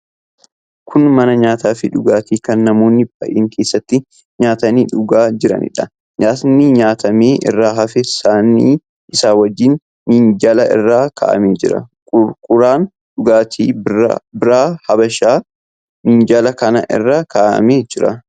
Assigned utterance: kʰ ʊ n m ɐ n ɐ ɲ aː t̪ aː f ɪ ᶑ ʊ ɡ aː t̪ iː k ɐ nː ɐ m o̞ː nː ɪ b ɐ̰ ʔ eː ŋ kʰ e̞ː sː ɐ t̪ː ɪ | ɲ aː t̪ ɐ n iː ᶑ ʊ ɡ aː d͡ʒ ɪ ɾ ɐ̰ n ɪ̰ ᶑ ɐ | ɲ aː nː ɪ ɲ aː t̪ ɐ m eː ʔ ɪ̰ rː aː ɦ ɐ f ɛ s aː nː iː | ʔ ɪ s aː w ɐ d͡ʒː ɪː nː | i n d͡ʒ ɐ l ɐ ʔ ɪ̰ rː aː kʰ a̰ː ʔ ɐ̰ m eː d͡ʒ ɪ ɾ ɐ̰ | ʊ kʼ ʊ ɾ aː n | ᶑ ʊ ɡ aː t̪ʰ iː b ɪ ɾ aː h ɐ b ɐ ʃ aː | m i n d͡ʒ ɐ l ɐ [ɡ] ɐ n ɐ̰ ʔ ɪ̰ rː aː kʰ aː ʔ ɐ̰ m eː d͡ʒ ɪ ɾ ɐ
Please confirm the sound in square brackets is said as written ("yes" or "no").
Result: no